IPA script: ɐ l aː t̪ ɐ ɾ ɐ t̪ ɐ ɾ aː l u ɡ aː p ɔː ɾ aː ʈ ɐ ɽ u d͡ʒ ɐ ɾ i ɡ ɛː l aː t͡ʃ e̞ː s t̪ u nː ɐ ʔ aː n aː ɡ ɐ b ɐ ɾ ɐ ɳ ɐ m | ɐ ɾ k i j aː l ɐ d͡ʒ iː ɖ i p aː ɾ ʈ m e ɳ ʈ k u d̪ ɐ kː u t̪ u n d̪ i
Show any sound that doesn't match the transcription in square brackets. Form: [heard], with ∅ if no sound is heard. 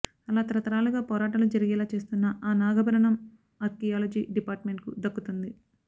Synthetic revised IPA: ɐ l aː t̪ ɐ ɾ ɐ t̪ ɐ ɾ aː l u ɡ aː p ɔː ɾ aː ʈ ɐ [l] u d͡ʒ ɐ ɾ i ɡ ɛː l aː t͡ʃ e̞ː s t̪ u nː ɐ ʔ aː n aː ɡ ɐ b ɐ ɾ ɐ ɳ ɐ m | ɐ ɾ k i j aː l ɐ d͡ʒ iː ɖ i p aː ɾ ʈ m e ɳ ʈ k u d̪ ɐ kː u t̪ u n d̪ i